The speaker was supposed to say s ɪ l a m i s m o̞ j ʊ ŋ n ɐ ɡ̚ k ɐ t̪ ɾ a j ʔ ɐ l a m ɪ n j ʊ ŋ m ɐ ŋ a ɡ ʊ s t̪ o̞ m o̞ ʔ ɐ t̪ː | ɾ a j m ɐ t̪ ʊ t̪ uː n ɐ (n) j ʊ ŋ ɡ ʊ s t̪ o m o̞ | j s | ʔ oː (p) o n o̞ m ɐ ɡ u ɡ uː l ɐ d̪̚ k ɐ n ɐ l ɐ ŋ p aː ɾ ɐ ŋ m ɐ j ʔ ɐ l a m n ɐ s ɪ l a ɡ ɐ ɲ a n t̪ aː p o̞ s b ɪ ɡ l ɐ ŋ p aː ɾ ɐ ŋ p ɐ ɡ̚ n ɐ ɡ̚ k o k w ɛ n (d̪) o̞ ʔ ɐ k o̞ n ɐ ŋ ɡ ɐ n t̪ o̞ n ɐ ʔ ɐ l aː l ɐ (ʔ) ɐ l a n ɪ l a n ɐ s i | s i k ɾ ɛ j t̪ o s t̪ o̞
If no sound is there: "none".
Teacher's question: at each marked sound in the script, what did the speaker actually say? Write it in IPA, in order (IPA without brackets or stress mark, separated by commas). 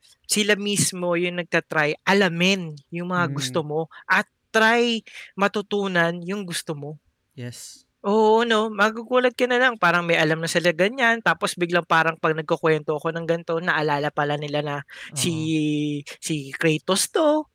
n, ʔ, t̪, p